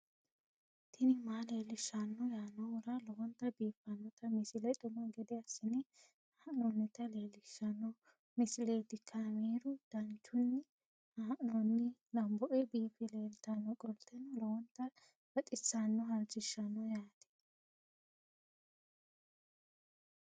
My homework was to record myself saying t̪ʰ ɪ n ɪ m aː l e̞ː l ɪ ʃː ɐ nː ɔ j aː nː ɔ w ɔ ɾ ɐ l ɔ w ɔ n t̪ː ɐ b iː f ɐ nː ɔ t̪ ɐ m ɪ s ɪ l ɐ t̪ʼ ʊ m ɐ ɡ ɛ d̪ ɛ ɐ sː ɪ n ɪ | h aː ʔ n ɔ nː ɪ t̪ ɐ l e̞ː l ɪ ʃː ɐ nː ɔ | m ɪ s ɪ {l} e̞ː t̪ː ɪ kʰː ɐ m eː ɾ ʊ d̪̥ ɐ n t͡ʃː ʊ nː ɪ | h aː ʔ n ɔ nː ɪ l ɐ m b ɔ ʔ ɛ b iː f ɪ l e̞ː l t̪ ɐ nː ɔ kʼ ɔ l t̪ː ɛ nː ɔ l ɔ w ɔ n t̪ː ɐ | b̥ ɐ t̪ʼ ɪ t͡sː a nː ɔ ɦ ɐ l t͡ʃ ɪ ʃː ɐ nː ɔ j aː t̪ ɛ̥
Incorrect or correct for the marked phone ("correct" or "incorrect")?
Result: correct